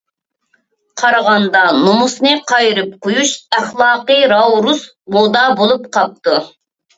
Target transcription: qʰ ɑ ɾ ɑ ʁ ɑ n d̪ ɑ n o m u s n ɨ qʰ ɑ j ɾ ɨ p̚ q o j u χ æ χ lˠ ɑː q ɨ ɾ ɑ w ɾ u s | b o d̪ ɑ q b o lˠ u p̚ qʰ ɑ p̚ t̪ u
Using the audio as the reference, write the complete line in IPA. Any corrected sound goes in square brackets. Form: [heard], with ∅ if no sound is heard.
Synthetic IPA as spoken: qʰ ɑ ɾ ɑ ʁ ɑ n d̪ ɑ n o m u s n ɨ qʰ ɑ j ɾ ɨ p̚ q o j u [ʃ] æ χ lˠ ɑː q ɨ ɾ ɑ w ɾ u s | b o d̪ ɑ [∅] b o lˠ u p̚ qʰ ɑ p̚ t̪ u